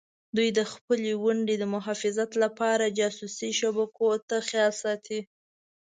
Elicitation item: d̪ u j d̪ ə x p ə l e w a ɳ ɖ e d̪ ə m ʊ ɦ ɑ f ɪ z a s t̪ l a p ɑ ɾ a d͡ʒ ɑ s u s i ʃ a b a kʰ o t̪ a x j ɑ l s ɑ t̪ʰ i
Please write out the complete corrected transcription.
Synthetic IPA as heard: d̪ u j d̪ ə x p ə l e w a ɳ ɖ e d̪ ə m ʊ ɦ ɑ f ɪ z a t̪ l a p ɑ ɾ a d͡ʒ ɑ s u s i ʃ a b a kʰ o t̪ a x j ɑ l s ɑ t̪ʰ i